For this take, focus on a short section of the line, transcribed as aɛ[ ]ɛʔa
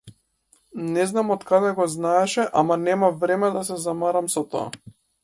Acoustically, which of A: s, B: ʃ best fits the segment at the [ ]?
B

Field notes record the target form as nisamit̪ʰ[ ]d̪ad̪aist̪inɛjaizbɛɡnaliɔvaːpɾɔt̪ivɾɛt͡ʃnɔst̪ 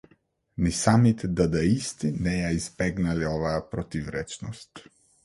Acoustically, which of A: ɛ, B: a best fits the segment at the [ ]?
A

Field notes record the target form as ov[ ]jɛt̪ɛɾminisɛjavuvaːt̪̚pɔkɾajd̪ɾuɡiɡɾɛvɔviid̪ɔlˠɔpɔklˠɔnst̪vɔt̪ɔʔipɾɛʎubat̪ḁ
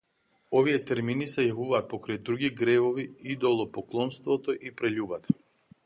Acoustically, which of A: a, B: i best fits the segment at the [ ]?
B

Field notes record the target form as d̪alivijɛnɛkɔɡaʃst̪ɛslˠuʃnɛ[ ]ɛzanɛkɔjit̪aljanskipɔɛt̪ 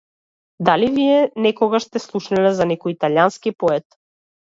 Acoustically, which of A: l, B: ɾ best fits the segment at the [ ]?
A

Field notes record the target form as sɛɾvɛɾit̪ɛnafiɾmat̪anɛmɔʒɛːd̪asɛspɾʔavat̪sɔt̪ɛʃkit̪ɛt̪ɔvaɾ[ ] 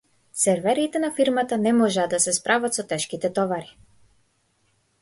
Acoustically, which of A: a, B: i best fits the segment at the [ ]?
B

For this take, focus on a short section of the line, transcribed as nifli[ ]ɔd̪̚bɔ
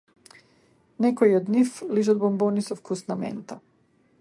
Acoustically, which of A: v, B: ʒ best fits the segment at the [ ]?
B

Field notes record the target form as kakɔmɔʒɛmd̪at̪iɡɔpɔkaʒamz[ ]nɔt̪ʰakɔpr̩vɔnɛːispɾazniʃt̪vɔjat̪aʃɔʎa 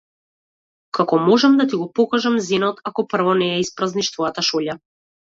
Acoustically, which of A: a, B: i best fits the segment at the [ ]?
B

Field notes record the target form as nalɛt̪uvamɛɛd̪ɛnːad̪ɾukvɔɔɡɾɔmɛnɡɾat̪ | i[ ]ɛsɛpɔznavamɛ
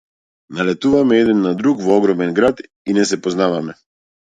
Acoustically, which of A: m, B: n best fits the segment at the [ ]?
B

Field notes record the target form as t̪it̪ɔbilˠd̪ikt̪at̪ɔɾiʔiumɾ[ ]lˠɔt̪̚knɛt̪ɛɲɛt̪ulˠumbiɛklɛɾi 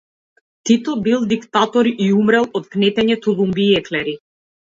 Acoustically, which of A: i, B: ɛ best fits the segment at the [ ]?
B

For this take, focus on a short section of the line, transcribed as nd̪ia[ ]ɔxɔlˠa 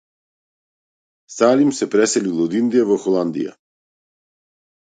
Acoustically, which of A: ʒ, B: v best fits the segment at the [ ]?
B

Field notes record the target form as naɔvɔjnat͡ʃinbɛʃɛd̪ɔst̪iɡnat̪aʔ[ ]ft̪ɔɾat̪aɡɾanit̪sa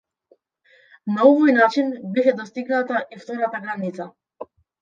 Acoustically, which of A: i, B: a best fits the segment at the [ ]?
A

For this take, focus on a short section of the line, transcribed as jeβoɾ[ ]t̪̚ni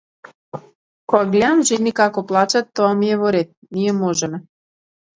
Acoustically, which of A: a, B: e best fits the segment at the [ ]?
B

